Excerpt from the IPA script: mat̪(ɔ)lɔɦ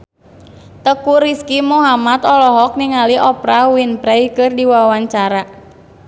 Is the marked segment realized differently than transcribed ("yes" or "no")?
no